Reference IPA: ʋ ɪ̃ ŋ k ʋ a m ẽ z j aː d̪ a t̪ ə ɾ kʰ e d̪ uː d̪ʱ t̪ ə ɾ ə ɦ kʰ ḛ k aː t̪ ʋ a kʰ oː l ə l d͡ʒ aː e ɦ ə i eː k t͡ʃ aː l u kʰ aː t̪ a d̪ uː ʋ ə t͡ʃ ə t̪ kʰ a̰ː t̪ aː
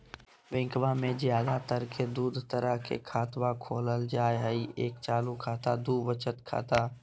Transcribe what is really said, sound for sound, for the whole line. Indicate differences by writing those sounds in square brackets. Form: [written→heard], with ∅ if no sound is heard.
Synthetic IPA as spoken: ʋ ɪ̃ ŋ k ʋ a m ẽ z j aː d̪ a t̪ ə ɾ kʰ e d̪ uː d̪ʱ t̪ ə ɾ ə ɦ kʰ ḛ [k→kʰ] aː t̪ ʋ a kʰ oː l ə l d͡ʒ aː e ɦ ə i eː k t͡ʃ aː l u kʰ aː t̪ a d̪ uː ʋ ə t͡ʃ ə t̪ kʰ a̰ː t̪ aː